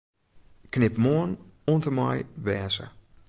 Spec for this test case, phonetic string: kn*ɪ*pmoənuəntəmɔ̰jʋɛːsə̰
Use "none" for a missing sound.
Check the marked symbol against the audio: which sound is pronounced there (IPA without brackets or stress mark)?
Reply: ɪ